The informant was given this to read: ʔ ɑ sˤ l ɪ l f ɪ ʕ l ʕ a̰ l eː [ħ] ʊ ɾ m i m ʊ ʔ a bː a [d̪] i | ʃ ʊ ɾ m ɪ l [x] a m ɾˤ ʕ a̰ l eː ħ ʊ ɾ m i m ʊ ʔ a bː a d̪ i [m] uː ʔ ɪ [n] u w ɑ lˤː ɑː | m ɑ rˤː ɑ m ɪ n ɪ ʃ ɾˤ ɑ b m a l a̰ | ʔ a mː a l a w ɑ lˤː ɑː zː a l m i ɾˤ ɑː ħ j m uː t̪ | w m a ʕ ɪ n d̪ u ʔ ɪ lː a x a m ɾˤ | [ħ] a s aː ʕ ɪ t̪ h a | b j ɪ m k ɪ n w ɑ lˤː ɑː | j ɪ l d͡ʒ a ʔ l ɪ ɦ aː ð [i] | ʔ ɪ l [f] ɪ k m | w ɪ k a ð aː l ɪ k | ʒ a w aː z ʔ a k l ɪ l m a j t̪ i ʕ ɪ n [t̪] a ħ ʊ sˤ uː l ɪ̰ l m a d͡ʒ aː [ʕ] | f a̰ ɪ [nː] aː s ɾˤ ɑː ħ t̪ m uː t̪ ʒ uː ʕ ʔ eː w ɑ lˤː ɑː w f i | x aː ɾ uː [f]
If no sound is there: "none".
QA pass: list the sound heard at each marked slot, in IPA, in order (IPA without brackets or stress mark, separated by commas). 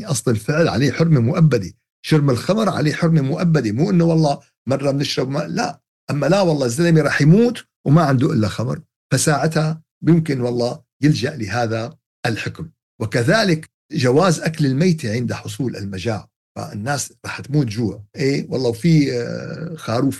ħ, d̪, x, m, nː, f, a, ħ, d̪, ʕ, nː, f